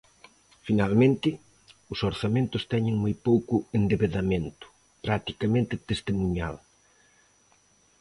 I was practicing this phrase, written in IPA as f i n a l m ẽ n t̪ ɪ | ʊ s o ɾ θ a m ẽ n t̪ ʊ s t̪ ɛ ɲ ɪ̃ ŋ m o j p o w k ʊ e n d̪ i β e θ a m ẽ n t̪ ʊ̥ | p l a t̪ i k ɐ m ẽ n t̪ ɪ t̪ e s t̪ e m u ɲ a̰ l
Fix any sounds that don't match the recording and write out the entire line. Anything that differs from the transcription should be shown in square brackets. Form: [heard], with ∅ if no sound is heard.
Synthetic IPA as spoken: f i n a l m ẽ n t̪ ɪ | ʊ s o ɾ θ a m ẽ n t̪ ʊ s t̪ ɛ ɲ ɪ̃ ŋ m o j p o w k ʊ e n d̪ [e] β e [ð] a m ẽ n t̪ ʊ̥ | p [ɾ] a t̪ i k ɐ m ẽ n t̪ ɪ t̪ e s t̪ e m u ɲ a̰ l